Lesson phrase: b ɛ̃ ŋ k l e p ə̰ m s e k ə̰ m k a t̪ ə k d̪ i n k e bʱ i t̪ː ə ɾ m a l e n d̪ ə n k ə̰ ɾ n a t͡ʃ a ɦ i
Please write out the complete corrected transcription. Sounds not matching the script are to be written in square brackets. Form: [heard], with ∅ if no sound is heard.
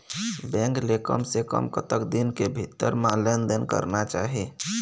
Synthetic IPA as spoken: b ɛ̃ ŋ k l e [k] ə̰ m s e k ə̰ m k [ə] t̪ ə k d̪ i n k e bʱ i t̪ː ə ɾ m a l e n d̪ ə n k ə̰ ɾ n a t͡ʃ a ɦ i